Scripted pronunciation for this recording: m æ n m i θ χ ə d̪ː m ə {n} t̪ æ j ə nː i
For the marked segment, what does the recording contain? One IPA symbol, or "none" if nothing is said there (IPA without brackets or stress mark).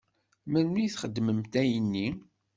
m